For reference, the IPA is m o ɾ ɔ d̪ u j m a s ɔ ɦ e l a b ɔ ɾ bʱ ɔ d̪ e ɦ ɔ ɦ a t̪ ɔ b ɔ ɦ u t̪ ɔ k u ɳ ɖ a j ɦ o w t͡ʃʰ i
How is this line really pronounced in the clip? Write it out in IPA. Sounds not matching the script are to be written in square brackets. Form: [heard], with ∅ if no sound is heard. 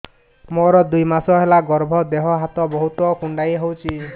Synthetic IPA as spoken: m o ɾ ɔ d̪ u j m a s ɔ ɦ e l a [ɡ] ɔ ɾ bʱ ɔ d̪ e ɦ ɔ ɦ a t̪ ɔ b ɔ ɦ u t̪ ɔ k u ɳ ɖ a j ɦ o w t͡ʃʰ i